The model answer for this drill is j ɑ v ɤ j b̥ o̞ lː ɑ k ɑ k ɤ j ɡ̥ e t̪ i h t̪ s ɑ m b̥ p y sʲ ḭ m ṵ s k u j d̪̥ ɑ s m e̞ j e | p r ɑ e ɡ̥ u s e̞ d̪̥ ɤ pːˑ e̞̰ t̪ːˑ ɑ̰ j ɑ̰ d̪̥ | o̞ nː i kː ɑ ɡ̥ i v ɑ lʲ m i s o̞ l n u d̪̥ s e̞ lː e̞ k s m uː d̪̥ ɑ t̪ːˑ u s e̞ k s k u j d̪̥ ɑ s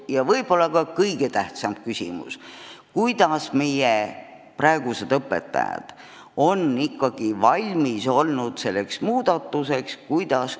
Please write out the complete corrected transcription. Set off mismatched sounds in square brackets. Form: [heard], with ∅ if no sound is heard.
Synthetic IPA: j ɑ v ɤ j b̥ o̞ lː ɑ k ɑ k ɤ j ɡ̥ e t̪ [æ] h t̪ s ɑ m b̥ [k] y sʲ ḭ m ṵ s k u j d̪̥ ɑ s m e̞ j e | p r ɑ e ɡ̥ u s e̞ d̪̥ ɤ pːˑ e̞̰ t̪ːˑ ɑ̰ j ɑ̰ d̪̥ | o̞ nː i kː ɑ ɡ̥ i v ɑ lʲ m i s o̞ l n u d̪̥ s e̞ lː e̞ k s m uː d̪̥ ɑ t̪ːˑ u s e̞ k s k u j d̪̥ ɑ s

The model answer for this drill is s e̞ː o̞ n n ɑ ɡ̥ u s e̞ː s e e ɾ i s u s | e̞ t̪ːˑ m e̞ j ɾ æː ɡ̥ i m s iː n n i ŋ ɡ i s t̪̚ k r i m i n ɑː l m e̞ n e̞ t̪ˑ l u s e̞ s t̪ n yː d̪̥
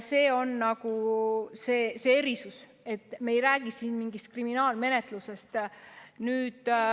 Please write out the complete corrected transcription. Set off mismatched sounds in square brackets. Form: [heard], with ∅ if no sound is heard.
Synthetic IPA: s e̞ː o̞ n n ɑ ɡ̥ u s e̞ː s e e ɾ i s u s | e̞ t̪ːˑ m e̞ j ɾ æː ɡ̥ i [∅] s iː n [m] i ŋ ɡ i s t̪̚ k r i m i n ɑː l m e̞ n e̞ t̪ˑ l u s e̞ s t̪ n yː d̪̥

